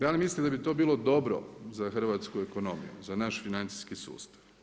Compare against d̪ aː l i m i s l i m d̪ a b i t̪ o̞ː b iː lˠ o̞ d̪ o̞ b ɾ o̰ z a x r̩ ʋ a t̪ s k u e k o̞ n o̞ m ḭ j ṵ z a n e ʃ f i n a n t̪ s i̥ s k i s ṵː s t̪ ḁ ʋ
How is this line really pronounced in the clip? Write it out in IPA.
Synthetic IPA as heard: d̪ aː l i m i s l i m d̪ a b i t̪ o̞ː b iː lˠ o̞ d̪ o̞ b ɾ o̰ z a x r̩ ʋ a t̪ s k u e k o̞ n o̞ m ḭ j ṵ z a n a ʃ f i n a n t̪ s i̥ s k i s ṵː s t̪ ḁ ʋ